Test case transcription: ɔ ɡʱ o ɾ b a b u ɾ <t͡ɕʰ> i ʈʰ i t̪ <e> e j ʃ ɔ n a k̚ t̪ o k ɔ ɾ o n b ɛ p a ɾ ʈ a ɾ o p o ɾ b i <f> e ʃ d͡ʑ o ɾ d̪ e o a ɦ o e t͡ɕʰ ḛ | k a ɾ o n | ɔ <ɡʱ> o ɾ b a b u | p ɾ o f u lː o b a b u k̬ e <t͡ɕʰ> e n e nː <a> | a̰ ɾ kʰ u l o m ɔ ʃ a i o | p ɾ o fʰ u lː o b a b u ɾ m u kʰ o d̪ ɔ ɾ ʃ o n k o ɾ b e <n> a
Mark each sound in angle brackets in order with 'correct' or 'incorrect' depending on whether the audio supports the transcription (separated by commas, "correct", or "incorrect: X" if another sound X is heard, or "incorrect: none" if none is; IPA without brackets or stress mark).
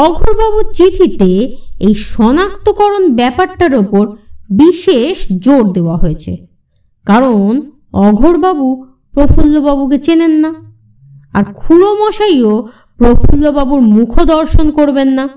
incorrect: t͡ɕ, correct, incorrect: ʃ, correct, incorrect: t͡ɕ, correct, incorrect: nː